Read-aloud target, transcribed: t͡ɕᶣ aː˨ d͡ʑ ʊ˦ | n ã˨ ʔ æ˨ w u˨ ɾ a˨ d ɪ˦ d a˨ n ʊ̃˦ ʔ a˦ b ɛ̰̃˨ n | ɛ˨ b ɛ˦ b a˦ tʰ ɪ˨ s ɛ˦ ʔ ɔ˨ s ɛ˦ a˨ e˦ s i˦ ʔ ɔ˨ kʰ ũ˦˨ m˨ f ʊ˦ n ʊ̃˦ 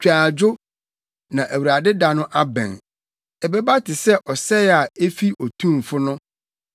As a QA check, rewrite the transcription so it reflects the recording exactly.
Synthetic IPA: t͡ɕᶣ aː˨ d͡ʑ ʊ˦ | n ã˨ ʔ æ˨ w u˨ ɾ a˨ d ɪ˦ d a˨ n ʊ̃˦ ʔ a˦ b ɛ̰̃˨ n | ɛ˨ b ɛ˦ b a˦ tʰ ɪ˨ s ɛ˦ ʔ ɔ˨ s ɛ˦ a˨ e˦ f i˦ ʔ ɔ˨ tʰ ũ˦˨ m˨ f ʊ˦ n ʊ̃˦